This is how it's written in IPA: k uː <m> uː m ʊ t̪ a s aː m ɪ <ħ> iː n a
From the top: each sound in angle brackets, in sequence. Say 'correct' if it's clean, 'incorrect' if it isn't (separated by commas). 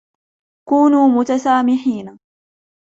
incorrect, correct